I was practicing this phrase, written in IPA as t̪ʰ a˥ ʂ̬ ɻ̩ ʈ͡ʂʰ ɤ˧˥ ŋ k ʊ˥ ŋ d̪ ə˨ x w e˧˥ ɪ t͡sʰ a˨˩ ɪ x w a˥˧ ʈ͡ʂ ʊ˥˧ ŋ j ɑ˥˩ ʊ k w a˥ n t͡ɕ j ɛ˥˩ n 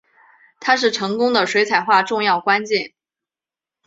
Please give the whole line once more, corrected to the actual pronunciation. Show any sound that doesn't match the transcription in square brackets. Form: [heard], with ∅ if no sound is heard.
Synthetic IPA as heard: t̪ʰ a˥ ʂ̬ ɻ̩ ʈ͡ʂʰ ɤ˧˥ ŋ k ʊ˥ ŋ d̪ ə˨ [ʂ] w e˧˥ ɪ t͡sʰ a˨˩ ɪ x w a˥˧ ʈ͡ʂ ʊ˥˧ ŋ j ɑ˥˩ ʊ k w a˥ n t͡ɕ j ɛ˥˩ n